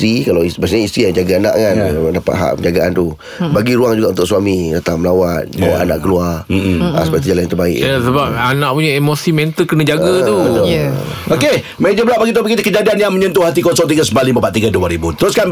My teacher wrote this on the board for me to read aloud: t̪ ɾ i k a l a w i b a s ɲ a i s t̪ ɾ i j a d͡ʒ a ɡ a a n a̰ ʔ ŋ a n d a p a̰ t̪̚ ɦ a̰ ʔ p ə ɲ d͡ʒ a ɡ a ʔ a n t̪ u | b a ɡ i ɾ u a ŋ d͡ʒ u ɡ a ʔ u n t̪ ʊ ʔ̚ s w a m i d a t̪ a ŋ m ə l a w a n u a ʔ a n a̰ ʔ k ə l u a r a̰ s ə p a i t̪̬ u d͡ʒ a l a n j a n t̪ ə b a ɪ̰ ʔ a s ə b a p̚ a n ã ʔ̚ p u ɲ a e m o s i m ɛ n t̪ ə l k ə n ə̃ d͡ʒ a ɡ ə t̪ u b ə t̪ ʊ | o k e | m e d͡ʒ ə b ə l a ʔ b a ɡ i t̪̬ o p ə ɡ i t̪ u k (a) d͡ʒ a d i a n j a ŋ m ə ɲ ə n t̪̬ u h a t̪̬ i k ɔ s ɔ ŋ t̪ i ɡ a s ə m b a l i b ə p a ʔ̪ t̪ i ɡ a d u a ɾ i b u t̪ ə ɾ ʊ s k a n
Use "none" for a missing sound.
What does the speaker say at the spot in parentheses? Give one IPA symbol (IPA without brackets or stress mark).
ə